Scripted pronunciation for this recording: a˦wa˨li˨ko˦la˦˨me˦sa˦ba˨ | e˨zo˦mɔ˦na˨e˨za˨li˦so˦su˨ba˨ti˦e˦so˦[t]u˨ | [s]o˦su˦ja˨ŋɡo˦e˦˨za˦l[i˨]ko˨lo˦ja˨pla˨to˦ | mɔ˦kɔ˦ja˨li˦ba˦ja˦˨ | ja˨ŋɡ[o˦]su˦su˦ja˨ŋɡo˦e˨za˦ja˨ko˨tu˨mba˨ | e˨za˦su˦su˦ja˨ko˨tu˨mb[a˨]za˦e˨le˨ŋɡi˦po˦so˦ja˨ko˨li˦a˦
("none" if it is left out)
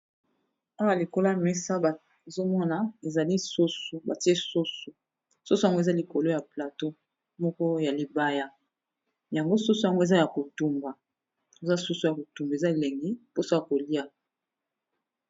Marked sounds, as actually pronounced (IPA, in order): s, s, i˨, o˦, e˨

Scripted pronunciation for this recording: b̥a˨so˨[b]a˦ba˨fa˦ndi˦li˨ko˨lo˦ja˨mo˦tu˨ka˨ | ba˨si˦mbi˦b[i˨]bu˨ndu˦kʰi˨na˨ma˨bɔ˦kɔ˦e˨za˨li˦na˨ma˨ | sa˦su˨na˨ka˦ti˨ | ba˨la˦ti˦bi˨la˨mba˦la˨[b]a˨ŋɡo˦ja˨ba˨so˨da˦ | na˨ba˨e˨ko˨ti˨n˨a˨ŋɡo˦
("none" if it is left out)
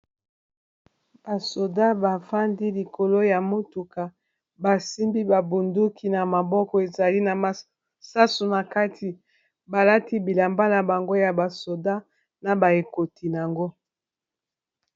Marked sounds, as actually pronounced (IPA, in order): d, a˨, b

